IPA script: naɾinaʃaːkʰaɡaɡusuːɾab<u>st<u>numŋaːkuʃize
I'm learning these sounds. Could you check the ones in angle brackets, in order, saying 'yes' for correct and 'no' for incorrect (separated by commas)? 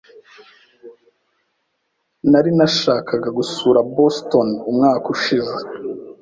no, no